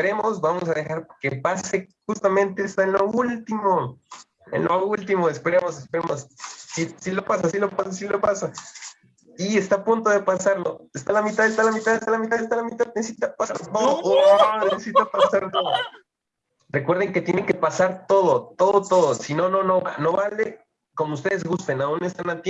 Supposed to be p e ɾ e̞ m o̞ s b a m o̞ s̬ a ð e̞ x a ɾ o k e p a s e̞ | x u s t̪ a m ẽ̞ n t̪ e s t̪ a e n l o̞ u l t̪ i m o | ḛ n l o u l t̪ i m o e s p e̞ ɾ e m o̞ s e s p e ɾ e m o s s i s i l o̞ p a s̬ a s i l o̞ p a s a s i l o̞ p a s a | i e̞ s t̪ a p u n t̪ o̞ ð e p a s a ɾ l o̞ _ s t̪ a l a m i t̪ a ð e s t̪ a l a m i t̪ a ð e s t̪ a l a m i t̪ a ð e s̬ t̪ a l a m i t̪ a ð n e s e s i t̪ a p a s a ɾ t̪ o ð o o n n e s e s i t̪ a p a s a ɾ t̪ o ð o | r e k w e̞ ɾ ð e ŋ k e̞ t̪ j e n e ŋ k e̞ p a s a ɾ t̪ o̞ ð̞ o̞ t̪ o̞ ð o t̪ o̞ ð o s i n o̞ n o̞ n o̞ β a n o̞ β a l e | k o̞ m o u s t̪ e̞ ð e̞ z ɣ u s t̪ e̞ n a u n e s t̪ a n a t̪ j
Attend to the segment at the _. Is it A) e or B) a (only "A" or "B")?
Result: A